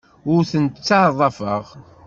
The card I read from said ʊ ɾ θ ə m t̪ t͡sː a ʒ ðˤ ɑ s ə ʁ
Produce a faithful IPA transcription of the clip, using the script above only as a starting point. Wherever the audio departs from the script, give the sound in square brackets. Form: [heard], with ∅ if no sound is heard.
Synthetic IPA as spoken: ʊ ɾ θ ə [n] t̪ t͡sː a [ʕ] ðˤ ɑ [f] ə ʁ